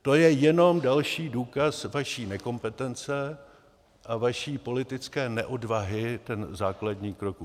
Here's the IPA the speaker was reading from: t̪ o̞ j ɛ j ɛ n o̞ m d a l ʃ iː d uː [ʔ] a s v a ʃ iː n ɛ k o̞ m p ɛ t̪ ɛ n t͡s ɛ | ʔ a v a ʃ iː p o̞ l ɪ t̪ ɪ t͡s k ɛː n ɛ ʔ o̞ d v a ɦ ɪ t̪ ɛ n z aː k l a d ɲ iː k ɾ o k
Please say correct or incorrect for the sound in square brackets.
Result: incorrect